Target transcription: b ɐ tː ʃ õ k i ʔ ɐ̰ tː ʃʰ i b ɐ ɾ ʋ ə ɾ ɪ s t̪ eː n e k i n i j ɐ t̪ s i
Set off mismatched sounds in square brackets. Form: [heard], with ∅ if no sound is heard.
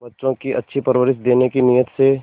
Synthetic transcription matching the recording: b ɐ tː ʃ õ k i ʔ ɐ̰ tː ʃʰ i [p] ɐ ɾ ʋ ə ɾ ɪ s [d̪] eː n e k i n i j [ə] t̪ s [e]

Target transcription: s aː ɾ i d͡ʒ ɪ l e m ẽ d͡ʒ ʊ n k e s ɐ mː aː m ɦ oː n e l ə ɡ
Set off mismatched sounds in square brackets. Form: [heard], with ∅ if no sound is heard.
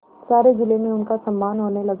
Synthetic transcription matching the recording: s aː ɾ [e] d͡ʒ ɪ l e m ẽ [∅] ʊ n k [a] s ɐ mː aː [n] ɦ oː n e l [ɐ] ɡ

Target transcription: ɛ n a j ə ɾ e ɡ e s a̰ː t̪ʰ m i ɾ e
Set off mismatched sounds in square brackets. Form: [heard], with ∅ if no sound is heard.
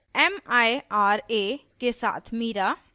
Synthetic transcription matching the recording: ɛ [m] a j [a] ɾ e [k] e s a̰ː t̪ʰ m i ɾ [a]

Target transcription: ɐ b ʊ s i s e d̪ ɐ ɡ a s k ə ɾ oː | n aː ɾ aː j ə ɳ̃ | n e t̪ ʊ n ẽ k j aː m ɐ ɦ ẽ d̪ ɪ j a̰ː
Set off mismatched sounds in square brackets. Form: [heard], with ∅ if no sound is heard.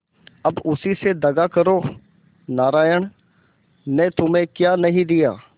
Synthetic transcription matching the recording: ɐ b ʊ s i s e d̪ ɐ ɡ a [∅] k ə ɾ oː | n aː ɾ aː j ə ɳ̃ | n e t̪ ʊ [m] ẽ k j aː [n] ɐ ɦ [ĩ] d̪ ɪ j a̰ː

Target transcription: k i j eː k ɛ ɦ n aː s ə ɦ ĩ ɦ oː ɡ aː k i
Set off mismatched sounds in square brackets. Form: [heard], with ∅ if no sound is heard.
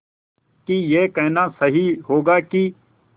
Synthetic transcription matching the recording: k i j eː k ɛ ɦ n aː s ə ɦ [i] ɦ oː ɡ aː k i

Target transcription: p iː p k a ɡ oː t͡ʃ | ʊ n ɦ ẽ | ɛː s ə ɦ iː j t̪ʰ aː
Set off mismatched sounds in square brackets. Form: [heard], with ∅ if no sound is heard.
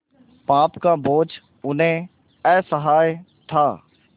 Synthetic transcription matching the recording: p [aː] p k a [b] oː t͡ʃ | ʊ n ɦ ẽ | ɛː s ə ɦ [aː] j t̪ʰ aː

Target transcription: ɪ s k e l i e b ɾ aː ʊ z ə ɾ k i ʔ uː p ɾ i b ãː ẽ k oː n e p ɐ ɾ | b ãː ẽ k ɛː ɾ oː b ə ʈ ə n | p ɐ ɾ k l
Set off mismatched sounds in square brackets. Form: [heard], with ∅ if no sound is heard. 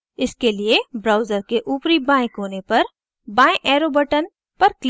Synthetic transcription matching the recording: ɪ s k e l i e b ɾ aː ʊ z ə ɾ k [e] ʔ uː p ɾ i b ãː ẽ k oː n e p ɐ ɾ | b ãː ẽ [ʔ] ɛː ɾ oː b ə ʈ ə n | p ɐ ɾ k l

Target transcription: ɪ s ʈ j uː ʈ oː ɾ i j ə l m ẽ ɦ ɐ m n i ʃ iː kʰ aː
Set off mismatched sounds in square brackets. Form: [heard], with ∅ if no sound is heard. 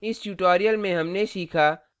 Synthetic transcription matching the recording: ɪ s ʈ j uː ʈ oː ɾ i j ə l m ẽ ɦ ɐ m n [e] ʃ iː kʰ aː

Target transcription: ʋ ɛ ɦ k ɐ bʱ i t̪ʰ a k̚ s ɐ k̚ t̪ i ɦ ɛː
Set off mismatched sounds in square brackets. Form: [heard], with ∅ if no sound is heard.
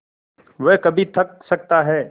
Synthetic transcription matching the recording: ʋ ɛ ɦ k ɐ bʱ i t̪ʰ [ɐ] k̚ s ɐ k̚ t̪ [a] ɦ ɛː

